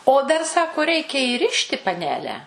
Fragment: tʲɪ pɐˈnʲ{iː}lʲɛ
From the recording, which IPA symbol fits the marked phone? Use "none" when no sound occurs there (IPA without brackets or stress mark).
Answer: æː